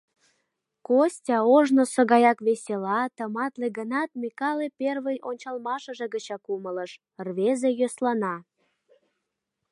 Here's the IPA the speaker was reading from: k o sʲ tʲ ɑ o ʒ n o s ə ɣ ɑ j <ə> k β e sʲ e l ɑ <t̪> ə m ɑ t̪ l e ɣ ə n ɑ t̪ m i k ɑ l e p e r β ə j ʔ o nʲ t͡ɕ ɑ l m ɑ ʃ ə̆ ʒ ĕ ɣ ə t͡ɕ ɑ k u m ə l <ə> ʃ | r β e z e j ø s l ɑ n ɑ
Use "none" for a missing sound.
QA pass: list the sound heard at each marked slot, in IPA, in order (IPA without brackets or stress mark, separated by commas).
ɑ, t̪, ə